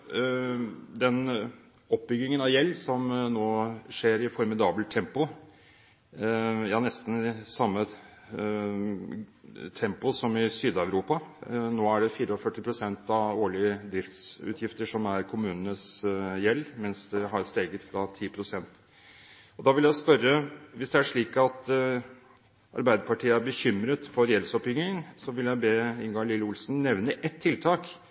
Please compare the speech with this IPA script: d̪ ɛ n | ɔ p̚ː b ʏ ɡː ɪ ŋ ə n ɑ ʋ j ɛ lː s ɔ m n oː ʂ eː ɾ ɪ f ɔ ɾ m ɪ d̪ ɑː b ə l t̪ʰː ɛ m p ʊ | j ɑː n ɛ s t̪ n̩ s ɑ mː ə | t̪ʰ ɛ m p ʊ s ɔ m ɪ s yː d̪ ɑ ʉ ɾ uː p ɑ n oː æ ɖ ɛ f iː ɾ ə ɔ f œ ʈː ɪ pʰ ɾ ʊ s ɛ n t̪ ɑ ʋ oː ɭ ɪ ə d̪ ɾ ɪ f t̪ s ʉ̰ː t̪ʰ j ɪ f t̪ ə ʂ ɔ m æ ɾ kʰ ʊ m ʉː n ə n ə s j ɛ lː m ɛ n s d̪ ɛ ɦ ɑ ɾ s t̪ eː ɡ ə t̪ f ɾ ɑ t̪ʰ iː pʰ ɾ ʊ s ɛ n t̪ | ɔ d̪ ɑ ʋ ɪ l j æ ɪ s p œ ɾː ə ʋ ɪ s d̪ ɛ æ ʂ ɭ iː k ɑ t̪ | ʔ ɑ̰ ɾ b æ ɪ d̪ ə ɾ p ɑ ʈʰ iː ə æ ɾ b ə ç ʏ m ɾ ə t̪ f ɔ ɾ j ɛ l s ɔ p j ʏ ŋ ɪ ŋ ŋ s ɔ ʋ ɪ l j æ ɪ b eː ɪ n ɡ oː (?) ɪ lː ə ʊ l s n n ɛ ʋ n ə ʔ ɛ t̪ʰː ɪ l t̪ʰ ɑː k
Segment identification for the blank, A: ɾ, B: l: B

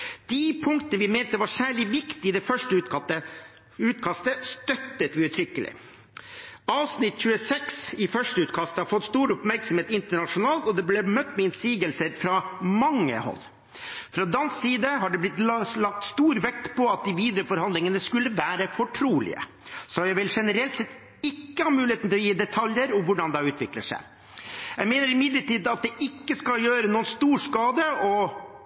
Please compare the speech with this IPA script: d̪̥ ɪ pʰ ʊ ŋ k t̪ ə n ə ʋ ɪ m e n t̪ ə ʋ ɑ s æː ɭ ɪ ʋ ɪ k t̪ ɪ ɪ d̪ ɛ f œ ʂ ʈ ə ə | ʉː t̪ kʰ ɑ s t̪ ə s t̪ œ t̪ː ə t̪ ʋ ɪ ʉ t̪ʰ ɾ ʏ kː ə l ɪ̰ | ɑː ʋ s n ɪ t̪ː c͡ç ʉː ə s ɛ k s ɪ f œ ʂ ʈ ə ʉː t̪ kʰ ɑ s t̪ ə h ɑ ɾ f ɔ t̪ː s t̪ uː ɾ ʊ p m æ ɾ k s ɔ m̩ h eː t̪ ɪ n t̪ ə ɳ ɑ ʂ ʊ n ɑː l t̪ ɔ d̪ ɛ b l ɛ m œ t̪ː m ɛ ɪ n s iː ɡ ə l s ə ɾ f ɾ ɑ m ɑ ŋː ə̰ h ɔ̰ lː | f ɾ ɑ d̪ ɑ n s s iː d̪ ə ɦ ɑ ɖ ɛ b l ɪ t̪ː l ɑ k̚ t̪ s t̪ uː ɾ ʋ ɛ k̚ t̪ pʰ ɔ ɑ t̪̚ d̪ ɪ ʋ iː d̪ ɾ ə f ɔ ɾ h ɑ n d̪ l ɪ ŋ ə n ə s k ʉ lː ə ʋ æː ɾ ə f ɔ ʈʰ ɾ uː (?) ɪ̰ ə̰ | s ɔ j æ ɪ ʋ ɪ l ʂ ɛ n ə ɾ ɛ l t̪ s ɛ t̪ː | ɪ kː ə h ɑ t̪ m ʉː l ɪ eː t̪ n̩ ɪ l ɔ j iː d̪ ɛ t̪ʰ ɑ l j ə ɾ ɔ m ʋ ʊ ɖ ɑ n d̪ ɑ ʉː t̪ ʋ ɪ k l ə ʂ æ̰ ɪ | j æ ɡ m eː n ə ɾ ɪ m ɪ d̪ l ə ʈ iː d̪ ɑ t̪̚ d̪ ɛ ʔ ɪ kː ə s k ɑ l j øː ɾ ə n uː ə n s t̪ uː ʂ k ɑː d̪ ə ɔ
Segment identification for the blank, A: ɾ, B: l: B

